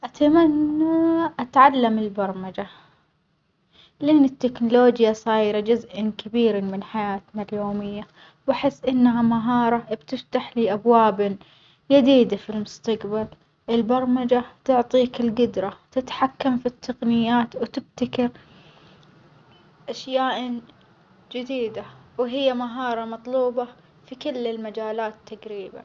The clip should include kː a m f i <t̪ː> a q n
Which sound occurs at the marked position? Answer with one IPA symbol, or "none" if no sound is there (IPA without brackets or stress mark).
t̪ː